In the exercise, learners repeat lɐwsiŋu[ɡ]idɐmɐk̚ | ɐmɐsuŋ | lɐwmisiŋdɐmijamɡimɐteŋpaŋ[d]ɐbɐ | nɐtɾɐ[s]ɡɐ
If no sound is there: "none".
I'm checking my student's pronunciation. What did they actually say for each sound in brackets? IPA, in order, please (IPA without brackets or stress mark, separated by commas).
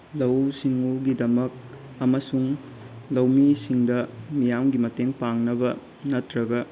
ɡ, n, none